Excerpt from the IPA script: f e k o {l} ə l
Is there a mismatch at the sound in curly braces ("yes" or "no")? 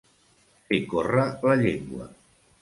yes